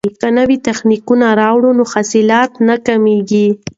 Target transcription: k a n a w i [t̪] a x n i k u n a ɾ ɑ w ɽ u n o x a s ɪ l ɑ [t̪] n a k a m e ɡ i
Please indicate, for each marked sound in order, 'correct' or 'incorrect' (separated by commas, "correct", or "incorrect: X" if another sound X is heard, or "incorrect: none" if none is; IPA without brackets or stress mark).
correct, correct